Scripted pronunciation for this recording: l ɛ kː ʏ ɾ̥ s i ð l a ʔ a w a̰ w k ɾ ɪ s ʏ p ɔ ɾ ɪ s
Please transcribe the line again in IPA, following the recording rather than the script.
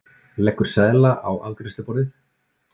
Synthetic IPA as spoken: l ɛ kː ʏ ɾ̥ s ɛ ð l a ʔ a w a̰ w k ɾ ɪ s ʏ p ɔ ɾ ɪ θ